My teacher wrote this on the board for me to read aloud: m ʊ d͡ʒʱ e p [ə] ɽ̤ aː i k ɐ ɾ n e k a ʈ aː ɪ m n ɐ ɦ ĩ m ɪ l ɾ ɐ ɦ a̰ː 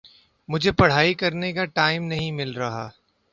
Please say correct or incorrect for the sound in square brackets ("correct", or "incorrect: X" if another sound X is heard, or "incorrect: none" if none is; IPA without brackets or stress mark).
incorrect: ɐ